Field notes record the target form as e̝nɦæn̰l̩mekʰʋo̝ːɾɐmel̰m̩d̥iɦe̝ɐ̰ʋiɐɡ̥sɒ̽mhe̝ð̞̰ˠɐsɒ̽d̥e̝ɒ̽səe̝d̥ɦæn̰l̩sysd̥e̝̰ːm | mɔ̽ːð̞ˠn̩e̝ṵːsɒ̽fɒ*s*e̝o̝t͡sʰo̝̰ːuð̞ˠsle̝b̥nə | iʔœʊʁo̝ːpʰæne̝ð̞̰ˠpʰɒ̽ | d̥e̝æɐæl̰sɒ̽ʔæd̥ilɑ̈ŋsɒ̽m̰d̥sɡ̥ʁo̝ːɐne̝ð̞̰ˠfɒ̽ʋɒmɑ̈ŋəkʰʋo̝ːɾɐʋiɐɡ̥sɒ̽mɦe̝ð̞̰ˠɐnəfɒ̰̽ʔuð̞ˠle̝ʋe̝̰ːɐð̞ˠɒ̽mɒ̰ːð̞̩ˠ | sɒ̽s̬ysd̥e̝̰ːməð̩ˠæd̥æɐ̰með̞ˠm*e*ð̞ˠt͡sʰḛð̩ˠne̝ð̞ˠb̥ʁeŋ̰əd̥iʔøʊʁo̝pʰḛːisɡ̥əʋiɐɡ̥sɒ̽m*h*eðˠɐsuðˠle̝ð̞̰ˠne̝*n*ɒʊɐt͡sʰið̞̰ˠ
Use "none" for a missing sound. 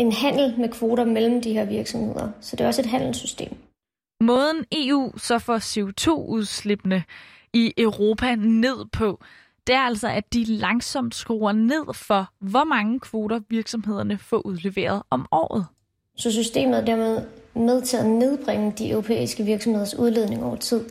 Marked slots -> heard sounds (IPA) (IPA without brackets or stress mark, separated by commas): s, e, h, ŋ